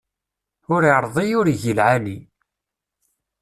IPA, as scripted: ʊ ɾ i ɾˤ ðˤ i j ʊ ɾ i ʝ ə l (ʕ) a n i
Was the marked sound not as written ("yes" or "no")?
no